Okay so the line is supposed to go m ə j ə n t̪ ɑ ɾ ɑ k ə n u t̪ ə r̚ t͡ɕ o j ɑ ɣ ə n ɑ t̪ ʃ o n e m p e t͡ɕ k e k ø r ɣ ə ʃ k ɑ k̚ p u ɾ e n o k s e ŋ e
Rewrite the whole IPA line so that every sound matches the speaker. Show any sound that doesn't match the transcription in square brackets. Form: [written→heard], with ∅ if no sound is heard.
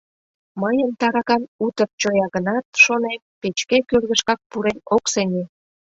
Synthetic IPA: m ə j ə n t̪ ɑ ɾ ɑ k [ə→ɑ] n u t̪ ə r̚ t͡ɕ o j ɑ ɣ ə n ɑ t̪ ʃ o n e m p e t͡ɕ k e k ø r ɣ ə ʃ k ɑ k̚ p u ɾ e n o k s e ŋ e